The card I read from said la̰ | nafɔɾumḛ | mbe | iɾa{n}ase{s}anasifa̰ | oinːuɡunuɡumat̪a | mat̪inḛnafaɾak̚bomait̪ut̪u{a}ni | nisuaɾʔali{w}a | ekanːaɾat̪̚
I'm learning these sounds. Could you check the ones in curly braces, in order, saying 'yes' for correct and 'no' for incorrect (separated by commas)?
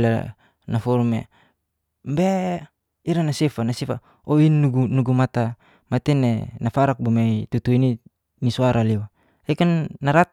yes, no, no, yes